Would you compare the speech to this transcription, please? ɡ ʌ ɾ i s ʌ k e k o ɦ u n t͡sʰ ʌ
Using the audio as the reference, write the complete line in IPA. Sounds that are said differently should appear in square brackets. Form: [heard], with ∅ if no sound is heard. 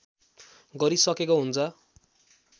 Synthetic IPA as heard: ɡ ʌ ɾ i s ʌ k e k o ɦ u n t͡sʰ ʌ